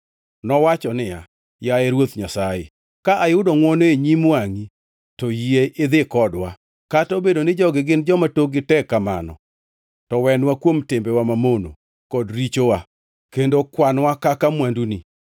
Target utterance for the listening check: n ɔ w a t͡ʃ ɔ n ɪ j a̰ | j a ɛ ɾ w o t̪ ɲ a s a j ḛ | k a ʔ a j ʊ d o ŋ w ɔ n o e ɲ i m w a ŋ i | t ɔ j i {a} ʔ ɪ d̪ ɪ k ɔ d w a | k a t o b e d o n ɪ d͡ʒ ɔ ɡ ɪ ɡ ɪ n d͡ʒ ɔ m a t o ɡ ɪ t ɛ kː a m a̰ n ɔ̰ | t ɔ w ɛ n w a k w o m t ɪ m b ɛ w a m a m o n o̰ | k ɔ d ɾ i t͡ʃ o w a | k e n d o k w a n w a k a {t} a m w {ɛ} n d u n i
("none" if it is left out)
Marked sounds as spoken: e, k, a

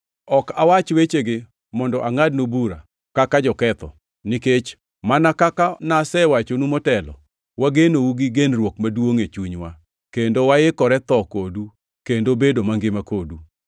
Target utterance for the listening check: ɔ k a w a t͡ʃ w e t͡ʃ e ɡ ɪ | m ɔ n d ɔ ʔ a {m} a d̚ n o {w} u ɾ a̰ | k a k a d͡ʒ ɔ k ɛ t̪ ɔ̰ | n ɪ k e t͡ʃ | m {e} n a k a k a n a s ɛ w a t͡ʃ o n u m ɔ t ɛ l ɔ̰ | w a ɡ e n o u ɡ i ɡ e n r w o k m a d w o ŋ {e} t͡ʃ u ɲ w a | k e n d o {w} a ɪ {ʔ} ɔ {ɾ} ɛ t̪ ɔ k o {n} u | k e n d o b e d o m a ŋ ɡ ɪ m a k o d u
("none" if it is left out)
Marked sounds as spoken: ŋ, b, a, e, w, k, ɾ, d

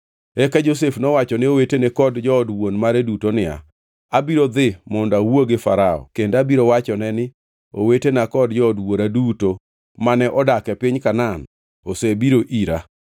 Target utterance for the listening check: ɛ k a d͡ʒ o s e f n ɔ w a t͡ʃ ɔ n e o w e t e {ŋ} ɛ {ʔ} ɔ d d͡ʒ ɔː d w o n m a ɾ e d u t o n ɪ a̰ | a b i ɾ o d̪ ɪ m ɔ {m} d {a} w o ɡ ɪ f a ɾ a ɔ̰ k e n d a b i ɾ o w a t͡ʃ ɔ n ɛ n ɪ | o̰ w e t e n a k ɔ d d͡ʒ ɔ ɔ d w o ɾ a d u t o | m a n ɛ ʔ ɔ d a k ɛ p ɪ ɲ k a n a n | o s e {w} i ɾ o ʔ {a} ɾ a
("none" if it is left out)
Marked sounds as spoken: n, k, n, a, b, i

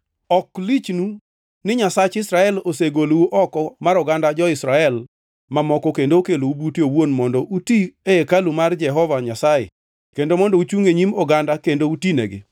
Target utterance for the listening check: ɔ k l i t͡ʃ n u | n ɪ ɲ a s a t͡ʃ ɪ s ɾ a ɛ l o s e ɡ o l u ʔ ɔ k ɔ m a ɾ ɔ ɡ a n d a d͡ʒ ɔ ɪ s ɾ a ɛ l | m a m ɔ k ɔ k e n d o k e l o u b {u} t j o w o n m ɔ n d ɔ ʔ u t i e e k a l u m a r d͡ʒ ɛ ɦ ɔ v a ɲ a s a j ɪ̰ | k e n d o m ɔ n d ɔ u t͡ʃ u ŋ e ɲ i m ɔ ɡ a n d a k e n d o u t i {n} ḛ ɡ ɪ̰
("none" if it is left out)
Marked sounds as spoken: u, n

